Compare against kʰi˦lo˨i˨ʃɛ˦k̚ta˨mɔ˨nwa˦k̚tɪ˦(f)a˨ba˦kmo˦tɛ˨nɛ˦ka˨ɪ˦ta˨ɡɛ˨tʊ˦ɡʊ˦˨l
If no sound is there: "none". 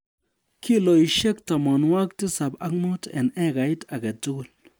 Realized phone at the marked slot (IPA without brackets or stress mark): s